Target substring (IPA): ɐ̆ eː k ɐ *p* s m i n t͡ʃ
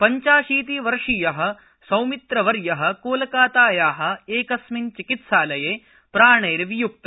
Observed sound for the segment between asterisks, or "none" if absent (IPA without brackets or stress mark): none